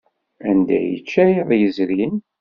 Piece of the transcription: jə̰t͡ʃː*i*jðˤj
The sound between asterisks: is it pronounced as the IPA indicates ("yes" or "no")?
no